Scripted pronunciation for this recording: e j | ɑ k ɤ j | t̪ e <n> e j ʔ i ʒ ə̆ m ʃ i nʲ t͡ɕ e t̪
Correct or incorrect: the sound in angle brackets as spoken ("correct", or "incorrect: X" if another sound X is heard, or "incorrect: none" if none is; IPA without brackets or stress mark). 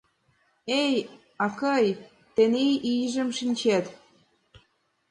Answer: correct